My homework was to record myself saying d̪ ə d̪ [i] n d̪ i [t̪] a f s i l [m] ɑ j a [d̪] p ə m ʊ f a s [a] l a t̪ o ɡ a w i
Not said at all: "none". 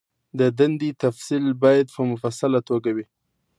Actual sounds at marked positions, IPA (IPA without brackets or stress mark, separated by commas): a, t̪, b, d̪, a